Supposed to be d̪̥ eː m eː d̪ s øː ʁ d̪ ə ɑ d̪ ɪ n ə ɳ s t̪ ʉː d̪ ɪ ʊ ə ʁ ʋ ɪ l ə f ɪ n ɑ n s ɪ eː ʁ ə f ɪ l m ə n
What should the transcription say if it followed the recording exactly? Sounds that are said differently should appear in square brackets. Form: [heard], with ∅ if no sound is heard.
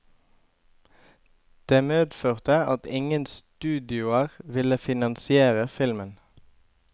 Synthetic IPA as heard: d̪̥ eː m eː d̪ [f] øː ʁ [t̪] ə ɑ [t̪] ɪ [ŋ] ə [n] s t̪ ʉː d̪ ɪ ʊ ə ʁ ʋ ɪ l ə f ɪ n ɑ n s ɪ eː ʁ ə f ɪ l m ə n

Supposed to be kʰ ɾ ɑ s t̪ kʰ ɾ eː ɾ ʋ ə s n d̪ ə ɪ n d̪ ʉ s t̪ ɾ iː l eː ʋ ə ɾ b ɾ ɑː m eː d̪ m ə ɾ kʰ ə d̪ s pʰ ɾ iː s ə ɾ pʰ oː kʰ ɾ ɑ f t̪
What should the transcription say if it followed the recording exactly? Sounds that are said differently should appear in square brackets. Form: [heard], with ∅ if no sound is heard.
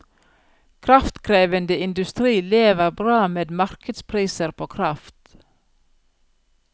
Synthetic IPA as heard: kʰ ɾ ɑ [f] t̪ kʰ ɾ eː [∅] ʋ ə [∅] n d̪ ə ɪ n d̪ ʉ s t̪ ɾ iː l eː ʋ ə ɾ b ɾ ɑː m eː d̪ m [ɑ] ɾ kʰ ə d̪ s pʰ ɾ iː s ə ɾ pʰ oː kʰ ɾ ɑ f t̪

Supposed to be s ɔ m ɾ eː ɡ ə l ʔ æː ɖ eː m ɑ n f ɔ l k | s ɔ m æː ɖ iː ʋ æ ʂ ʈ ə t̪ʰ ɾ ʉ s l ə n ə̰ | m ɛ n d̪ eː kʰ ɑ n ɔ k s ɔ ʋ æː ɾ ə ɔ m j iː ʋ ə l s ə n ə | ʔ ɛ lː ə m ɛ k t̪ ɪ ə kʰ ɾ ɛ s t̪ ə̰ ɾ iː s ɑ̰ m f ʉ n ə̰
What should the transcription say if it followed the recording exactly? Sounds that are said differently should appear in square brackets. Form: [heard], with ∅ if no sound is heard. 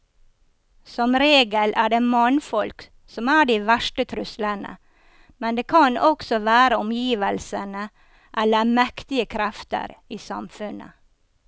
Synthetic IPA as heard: s ɔ m ɾ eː ɡ ə l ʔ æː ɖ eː m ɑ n f ɔ l k | s ɔ m æː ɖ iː ʋ æ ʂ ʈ ə t̪ʰ ɾ ʉ s l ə n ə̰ | m ɛ n d̪ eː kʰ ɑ n ɔ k s ɔ ʋ æː ɾ ə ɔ m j iː ʋ ə l s ə n ə | ʔ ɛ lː ə m ɛ k t̪ ɪ ə kʰ ɾ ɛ [f] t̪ ə̰ ɾ iː s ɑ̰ m f ʉ n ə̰

